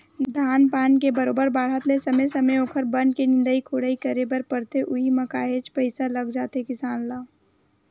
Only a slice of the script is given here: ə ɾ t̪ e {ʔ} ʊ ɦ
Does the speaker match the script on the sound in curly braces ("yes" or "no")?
yes